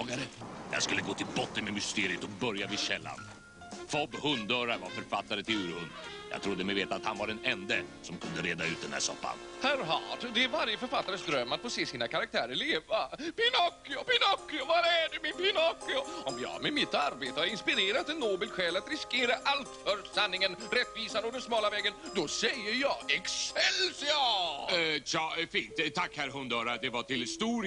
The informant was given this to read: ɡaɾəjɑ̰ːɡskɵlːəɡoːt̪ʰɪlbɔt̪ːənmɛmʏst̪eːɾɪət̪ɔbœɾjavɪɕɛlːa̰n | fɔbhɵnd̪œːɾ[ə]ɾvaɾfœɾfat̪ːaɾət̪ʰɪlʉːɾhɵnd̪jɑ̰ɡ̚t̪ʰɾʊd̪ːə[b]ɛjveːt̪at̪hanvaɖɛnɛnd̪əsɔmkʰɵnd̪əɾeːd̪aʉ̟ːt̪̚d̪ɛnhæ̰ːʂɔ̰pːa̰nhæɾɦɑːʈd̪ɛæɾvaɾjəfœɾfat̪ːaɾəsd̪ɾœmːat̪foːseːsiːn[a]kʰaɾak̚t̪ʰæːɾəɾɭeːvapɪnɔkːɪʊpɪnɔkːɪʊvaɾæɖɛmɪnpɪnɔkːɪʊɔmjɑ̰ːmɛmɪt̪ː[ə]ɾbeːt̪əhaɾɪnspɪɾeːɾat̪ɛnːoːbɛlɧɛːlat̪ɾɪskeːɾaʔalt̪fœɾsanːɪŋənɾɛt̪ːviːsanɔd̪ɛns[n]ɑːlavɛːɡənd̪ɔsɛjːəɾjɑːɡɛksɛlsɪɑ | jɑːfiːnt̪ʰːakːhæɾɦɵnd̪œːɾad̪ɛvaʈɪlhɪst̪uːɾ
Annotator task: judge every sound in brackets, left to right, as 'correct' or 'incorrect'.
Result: incorrect: a, incorrect: m, correct, incorrect: a, incorrect: m

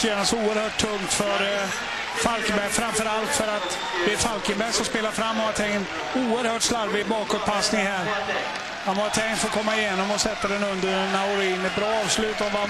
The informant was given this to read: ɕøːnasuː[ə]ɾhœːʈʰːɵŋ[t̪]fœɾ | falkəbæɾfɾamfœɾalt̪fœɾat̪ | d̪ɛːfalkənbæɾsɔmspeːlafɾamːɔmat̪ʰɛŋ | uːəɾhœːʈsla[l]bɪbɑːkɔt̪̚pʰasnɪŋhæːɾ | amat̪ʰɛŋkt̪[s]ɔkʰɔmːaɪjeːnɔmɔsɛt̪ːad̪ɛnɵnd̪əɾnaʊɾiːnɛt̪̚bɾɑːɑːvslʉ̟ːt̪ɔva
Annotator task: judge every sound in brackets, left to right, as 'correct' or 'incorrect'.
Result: correct, correct, incorrect: ɾ, incorrect: f

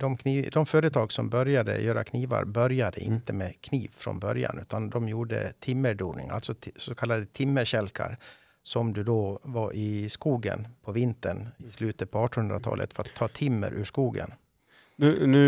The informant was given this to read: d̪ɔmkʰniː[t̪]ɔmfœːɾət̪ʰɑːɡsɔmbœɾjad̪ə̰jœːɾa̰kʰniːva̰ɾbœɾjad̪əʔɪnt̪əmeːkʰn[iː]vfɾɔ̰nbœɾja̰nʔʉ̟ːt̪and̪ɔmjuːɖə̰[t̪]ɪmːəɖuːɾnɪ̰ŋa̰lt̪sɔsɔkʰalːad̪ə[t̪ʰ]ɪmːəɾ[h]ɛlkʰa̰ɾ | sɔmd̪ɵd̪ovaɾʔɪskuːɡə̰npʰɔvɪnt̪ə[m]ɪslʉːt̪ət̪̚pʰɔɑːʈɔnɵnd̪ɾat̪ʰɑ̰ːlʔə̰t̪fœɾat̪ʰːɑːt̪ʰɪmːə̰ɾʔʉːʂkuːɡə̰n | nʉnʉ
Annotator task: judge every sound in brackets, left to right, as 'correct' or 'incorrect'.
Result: incorrect: d̪, correct, incorrect: t̪ʰ, correct, incorrect: ɕ, incorrect: ɳ

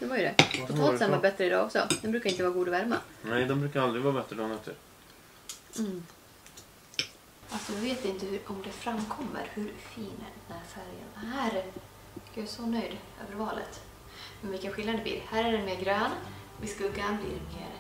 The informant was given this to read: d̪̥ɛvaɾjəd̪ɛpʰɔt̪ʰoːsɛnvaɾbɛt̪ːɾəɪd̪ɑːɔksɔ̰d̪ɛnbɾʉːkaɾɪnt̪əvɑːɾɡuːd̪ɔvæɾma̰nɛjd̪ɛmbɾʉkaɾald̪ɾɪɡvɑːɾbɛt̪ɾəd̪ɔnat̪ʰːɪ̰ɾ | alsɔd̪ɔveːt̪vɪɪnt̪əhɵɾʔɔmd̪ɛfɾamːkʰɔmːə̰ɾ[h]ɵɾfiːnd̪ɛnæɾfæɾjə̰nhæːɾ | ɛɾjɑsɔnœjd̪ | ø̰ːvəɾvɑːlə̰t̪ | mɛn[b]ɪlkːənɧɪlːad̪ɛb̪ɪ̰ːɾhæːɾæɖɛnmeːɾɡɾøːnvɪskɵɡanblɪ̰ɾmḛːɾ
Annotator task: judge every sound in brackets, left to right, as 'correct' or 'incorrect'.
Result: correct, incorrect: v

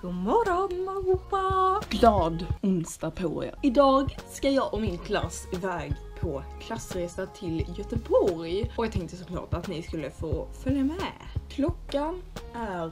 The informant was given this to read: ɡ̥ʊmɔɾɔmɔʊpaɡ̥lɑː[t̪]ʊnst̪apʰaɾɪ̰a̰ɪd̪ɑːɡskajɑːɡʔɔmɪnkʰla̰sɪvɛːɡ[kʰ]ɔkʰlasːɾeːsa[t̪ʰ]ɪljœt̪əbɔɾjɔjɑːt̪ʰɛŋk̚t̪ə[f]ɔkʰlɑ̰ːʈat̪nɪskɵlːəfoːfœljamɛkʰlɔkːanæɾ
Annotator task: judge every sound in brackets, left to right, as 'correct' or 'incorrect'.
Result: incorrect: d̪, incorrect: pʰ, correct, incorrect: s

